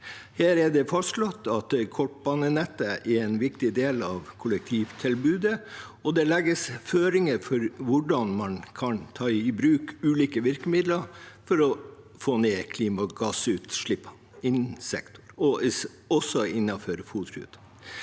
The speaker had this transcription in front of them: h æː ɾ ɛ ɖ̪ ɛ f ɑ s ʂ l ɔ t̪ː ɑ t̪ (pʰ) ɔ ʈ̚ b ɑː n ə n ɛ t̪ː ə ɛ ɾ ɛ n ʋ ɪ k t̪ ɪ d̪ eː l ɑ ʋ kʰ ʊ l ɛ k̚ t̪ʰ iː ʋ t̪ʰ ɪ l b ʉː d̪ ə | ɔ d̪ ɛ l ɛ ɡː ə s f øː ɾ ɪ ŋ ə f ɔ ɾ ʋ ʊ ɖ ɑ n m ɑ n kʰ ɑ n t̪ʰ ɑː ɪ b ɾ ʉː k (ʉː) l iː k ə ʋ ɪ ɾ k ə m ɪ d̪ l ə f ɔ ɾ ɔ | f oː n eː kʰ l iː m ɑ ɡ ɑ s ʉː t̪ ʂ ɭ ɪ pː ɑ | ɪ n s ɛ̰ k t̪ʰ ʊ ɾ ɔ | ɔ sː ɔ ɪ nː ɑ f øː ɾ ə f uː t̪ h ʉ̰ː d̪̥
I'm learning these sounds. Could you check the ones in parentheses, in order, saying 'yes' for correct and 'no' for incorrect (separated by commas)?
no, yes